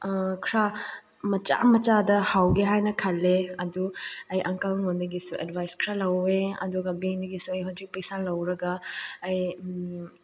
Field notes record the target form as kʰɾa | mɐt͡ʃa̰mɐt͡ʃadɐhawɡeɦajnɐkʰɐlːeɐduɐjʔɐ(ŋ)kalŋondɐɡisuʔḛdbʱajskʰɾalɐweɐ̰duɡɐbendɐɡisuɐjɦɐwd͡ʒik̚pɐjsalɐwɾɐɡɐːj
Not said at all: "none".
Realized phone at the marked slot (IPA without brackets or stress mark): ŋ